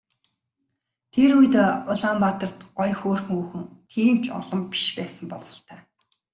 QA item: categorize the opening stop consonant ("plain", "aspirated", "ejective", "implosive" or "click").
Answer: aspirated